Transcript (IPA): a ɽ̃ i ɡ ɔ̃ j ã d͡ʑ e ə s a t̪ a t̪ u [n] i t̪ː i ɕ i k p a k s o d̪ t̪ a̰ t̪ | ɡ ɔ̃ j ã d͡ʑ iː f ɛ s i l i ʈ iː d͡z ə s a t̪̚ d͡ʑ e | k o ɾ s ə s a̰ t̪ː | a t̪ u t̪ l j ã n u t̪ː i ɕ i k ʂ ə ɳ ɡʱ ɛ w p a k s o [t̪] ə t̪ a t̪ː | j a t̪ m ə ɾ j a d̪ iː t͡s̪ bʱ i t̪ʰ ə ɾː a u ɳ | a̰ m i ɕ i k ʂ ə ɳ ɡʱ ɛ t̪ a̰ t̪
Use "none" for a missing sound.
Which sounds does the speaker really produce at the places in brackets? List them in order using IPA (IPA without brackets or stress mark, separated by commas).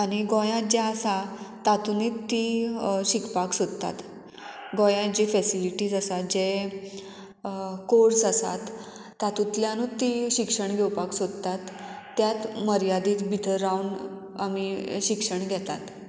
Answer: n, d̪